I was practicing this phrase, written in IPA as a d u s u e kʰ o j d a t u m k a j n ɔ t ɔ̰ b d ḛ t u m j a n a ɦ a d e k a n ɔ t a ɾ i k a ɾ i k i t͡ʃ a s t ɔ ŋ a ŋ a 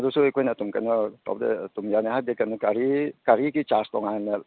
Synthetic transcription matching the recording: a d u s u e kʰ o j n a t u m k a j n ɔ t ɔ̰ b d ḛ t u m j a n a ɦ a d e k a n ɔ k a ɾ i k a ɾ i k i t͡ʃ a s t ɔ ŋ a n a